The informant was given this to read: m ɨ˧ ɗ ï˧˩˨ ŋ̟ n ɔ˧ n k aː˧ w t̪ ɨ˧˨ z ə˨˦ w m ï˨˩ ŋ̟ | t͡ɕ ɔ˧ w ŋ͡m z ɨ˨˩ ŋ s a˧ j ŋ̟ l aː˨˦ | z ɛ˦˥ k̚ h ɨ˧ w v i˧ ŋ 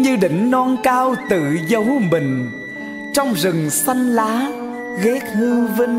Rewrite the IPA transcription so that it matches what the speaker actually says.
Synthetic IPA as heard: ɲ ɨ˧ ɗ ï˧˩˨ ŋ̟ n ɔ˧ n k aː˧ w t̪ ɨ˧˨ z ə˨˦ w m ï˨˩ ŋ̟ | t͡ɕ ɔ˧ w ŋ͡m z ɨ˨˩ ŋ s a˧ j ŋ̟ l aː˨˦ | ɣ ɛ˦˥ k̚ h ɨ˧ w v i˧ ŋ